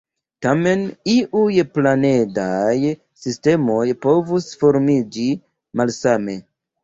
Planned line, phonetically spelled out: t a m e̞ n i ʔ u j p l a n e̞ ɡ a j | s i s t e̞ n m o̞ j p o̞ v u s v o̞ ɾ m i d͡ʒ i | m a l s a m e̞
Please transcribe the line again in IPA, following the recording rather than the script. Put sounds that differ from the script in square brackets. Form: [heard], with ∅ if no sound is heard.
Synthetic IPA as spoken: t a m e̞ n i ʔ u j p l a n e̞ [d] a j | s i s t e̞ [∅] m o̞ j p o̞ v u s [f] o̞ ɾ m i d͡ʒ i | m a l s a m e̞